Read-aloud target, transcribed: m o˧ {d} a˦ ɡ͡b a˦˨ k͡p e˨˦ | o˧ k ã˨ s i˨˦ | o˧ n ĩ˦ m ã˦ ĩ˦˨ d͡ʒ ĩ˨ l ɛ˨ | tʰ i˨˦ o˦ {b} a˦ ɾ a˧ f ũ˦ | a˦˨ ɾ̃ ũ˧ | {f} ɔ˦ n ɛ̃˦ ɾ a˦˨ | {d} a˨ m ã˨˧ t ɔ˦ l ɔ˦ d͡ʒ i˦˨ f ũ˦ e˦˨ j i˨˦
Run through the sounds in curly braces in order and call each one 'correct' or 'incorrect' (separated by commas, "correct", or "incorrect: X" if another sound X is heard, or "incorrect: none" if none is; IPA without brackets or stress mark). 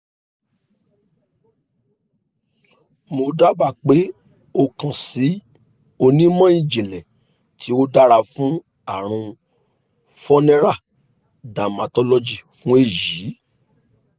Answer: correct, incorrect: d, correct, correct